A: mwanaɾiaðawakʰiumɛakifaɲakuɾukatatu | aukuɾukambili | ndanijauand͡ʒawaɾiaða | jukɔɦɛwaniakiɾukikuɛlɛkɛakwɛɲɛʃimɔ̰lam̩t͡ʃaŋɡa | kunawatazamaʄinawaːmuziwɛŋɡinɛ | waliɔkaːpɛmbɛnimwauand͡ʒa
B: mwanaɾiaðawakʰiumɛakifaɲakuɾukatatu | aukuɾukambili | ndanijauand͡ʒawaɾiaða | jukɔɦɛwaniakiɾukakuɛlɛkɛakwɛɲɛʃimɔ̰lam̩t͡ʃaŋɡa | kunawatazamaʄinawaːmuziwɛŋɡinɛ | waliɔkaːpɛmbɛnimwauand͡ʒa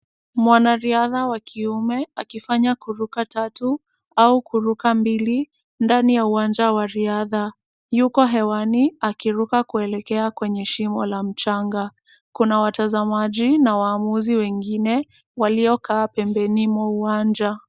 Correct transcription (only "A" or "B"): B